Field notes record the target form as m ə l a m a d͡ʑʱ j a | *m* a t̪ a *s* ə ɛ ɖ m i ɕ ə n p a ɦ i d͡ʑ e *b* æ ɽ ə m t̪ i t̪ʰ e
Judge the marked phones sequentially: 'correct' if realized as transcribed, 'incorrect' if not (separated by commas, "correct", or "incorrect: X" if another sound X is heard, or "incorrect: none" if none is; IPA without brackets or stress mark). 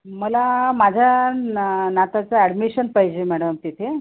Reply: incorrect: n, incorrect: t͡s, incorrect: m